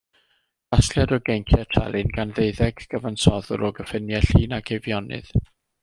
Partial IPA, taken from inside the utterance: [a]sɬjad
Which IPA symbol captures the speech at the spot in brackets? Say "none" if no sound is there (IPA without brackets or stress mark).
a